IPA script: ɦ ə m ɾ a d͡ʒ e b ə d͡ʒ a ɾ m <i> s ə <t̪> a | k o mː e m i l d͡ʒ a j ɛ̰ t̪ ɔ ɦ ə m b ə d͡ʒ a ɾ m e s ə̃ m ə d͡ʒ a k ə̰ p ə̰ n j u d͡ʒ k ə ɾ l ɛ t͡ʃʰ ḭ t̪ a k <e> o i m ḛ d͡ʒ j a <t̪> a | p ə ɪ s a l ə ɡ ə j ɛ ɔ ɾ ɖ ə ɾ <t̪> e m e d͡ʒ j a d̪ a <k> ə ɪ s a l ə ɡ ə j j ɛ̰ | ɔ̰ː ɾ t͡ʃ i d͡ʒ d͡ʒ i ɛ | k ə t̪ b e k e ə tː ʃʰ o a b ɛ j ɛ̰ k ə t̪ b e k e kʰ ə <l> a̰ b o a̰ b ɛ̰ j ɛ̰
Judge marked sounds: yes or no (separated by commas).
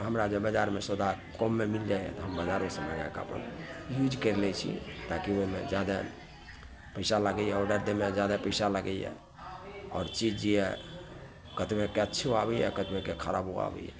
no, no, no, no, no, no, no